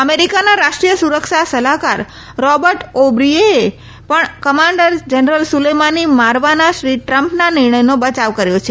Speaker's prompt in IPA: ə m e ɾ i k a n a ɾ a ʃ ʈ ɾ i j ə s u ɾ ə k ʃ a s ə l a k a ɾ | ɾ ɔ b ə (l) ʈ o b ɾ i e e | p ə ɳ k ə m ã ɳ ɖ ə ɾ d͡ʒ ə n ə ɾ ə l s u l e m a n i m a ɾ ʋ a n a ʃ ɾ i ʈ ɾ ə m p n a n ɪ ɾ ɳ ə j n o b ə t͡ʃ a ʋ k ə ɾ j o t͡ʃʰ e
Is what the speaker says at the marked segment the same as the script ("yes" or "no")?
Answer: no